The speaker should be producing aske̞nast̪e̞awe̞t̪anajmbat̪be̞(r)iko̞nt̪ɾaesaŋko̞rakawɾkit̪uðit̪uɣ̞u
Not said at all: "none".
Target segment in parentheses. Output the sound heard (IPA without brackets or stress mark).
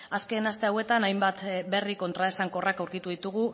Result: r